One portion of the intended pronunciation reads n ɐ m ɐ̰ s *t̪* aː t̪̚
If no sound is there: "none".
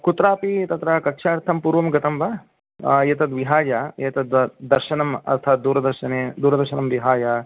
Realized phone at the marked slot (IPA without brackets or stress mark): t̪ʰ